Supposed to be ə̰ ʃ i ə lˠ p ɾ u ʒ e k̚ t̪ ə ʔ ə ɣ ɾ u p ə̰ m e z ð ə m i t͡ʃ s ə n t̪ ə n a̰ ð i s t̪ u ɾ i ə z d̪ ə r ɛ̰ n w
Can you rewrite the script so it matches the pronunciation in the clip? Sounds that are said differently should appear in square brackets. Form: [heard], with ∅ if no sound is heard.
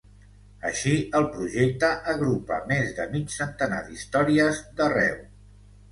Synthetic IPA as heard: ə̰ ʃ i ə lˠ p ɾ u ʒ e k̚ t̪ ə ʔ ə ɣ ɾ u p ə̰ m e z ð ə m i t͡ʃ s ə n t̪ ə n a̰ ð i s t̪ [ɔ] ɾ i ə z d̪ ə r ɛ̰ [∅] w